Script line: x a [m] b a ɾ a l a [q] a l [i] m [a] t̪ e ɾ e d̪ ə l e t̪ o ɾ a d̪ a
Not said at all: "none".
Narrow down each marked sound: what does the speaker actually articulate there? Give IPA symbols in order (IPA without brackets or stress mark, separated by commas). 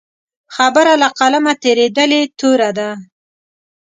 none, q, a, a